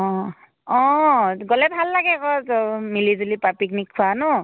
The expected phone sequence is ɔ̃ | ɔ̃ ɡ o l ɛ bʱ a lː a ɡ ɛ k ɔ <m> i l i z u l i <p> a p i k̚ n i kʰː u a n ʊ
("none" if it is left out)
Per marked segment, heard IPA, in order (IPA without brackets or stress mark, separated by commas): m, p